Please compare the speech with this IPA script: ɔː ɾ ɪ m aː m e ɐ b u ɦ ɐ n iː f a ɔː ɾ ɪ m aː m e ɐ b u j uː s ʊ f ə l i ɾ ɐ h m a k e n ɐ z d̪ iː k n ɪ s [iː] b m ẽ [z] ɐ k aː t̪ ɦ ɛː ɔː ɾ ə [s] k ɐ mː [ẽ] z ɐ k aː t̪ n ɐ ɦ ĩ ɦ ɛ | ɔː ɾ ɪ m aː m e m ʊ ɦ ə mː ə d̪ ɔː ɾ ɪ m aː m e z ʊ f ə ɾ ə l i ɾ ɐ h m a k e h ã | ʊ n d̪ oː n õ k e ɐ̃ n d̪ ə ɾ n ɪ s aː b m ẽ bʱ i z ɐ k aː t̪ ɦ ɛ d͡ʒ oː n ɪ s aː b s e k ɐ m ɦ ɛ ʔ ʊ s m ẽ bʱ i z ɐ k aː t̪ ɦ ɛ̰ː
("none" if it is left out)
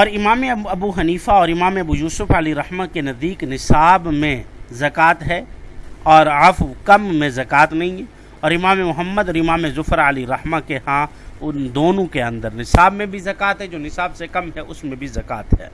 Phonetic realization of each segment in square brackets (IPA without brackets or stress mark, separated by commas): aː, z, f, ẽ